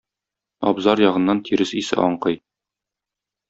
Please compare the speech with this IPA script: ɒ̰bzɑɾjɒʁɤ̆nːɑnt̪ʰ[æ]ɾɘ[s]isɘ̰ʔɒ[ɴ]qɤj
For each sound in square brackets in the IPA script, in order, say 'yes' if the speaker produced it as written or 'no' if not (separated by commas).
no, yes, yes